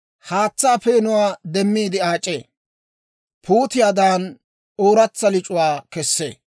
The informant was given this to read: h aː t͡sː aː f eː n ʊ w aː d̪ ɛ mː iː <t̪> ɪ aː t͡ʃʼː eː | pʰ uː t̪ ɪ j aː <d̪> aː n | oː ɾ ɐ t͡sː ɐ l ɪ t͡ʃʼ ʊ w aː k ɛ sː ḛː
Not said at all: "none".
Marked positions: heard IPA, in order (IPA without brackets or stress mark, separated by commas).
d̪, d̪